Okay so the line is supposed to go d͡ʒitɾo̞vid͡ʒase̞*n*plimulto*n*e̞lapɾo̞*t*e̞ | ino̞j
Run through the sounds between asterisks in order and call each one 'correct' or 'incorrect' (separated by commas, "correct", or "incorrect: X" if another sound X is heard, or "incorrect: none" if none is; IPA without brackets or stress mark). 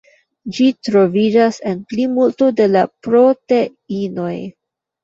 correct, incorrect: d, correct